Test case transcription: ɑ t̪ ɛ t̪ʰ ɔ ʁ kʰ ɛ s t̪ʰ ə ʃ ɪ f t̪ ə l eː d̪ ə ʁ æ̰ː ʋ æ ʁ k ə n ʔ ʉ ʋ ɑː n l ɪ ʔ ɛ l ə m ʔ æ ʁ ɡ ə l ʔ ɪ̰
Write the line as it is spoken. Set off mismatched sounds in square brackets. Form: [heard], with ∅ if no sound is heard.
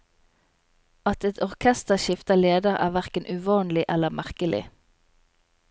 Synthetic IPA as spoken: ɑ t̪ ɛ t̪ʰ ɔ ʁ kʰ ɛ s [t̪] ə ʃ ɪ f t̪ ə l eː d̪ ə ʁ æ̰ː ʋ æ ʁ k ə n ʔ ʉ ʋ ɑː n l ɪ ʔ ɛ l ə m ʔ æ ʁ [k] ə l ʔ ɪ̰